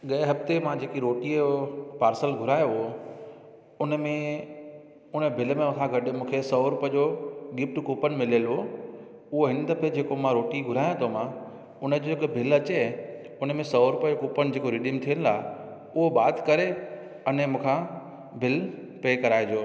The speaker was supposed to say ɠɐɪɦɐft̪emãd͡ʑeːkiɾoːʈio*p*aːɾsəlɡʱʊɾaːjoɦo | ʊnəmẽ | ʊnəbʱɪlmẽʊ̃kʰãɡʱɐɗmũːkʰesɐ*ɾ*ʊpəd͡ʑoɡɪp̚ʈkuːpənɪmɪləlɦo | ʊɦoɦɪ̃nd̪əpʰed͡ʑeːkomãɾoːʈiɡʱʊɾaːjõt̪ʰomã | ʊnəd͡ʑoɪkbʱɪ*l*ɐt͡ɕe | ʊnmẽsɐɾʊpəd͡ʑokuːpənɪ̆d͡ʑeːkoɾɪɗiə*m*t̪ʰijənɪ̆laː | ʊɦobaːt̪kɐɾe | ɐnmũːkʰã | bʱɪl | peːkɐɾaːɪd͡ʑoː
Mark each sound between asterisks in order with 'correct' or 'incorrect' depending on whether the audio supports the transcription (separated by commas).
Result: correct, correct, correct, correct